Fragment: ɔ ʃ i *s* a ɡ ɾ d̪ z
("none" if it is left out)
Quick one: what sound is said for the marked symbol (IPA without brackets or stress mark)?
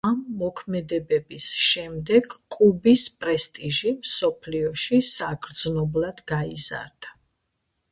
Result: s